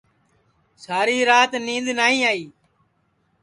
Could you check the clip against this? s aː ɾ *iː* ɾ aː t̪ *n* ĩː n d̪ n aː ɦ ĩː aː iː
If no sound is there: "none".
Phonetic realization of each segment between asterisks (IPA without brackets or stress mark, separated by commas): iː, n